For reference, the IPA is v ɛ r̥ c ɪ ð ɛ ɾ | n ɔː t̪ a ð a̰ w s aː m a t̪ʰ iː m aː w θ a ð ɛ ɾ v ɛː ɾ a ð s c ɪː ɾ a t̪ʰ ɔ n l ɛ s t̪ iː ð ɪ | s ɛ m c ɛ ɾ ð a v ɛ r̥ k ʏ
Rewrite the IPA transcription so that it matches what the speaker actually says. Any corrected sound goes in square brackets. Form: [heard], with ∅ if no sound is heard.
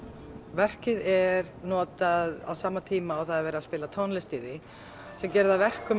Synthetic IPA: v ɛ r̥ c ɪ ð ɛ ɾ | n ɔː t̪ a ð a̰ w s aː m a t̪ʰ iː m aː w θ a ð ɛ ɾ v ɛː ɾ a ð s [p] ɪː [l] a t̪ʰ ɔ n l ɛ s t̪ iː ð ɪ | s ɛ m c ɛ ɾ ð a v ɛ r̥ k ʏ